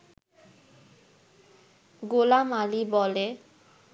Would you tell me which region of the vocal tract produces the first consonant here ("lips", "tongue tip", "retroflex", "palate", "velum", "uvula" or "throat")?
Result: velum